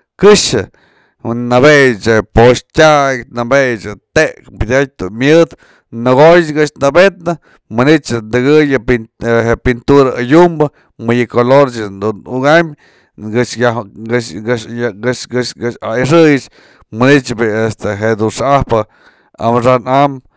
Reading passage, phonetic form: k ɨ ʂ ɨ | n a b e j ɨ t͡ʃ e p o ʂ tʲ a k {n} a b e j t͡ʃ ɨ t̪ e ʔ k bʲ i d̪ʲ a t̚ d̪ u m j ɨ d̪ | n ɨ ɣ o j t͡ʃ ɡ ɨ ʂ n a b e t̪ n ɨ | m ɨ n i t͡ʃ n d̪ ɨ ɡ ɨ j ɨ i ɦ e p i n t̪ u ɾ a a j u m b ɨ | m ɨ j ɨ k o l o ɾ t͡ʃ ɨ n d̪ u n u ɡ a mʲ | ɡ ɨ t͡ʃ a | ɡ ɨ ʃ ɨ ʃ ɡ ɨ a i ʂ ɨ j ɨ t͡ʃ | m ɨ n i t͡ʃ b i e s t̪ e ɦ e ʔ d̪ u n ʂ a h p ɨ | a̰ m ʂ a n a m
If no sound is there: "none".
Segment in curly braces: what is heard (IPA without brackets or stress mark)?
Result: n